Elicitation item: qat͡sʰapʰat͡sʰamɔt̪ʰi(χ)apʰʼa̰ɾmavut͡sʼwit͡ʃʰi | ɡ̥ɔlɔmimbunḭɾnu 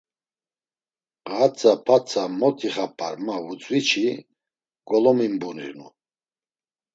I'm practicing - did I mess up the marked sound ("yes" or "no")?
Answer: no